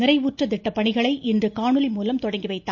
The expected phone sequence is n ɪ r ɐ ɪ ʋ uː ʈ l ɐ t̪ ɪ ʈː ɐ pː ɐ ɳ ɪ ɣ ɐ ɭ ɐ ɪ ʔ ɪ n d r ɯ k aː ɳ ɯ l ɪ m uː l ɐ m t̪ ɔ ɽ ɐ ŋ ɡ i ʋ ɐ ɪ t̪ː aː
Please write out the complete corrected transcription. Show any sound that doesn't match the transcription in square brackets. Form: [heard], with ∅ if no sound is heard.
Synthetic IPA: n ɪ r ɐ ɪ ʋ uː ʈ [r] ɐ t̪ ɪ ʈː ɐ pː ɐ ɳ ɪ ɣ ɐ ɭ ɐ ɪ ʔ ɪ n d r ɯ k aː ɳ ɯ l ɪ m uː l ɐ m t̪ ɔ ɽ ɐ ŋ ɡ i ʋ ɐ ɪ t̪ː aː